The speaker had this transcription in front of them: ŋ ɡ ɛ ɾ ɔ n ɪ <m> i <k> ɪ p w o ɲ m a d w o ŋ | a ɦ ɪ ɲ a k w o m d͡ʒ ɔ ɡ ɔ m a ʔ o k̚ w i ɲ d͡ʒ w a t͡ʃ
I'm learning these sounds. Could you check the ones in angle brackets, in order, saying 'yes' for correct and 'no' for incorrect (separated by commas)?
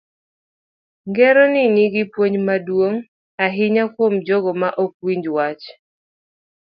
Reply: no, no